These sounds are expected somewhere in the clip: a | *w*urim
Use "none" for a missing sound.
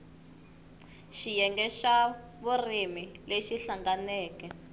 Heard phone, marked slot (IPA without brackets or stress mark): β